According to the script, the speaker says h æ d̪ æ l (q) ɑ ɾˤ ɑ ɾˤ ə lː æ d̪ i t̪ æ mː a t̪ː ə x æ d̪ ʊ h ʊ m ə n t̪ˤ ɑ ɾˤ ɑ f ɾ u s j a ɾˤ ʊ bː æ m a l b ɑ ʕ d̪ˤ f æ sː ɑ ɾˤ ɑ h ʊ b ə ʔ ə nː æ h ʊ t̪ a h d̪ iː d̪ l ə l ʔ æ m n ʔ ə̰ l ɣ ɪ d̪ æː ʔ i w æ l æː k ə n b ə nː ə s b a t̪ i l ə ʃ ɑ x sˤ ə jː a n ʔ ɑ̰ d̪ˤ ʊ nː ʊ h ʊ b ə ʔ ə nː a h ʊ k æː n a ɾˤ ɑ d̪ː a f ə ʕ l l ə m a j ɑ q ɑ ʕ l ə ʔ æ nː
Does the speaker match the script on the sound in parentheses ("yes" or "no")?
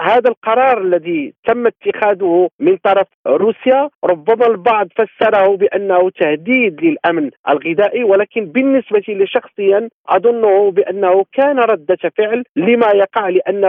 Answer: yes